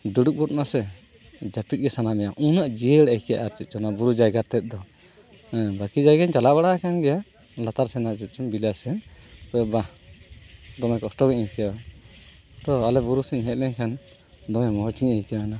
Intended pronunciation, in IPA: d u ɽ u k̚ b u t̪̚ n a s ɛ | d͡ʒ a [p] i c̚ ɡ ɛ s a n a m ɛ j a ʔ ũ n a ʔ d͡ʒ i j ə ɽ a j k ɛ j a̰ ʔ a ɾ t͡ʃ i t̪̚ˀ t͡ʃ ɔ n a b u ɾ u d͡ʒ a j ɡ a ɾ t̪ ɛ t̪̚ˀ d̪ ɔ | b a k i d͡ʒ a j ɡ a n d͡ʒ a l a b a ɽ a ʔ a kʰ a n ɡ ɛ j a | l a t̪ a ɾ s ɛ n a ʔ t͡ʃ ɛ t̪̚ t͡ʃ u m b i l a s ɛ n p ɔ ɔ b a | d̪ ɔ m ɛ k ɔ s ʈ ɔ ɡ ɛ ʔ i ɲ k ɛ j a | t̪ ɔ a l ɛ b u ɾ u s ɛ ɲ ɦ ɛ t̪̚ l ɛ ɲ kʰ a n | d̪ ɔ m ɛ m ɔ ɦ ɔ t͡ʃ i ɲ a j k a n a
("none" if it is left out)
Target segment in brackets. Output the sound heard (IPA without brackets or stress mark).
p